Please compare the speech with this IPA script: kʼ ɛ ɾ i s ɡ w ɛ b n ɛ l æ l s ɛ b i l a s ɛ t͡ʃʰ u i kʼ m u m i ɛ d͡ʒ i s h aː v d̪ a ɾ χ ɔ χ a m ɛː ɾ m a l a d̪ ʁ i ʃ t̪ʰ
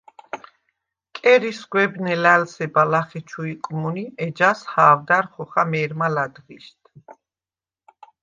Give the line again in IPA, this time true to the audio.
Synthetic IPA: kʼ ɛ ɾ i s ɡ w ɛ b n ɛ l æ l s ɛ b a l a χ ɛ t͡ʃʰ u i kʼ m u n i ɛ d͡ʒ a s h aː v d̪ a ɾ χ ɔ χ a m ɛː ɾ m a l a d̪ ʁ i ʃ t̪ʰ